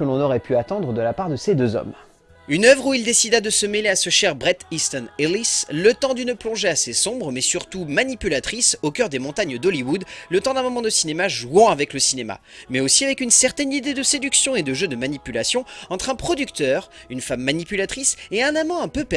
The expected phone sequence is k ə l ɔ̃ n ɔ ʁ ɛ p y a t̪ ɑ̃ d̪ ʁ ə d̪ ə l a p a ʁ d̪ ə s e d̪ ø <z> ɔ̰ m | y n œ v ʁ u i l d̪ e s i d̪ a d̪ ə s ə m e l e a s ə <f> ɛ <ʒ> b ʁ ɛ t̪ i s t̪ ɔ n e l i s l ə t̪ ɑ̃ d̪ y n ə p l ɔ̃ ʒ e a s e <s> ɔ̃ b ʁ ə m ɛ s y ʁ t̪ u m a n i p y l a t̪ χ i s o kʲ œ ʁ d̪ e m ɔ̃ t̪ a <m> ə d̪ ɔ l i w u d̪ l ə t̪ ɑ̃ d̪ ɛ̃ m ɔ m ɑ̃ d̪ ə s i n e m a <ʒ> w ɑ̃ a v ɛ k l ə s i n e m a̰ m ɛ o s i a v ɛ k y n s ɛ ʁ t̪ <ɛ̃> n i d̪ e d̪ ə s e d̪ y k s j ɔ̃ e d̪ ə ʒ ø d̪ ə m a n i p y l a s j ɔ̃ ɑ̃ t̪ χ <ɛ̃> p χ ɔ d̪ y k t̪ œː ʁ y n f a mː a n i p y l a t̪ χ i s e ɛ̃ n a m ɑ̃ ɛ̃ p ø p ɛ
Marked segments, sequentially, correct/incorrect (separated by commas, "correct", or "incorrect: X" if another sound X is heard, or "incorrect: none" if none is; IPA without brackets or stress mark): correct, incorrect: ʃ, incorrect: ʁ, correct, incorrect: ɲ, correct, incorrect: ɛ, correct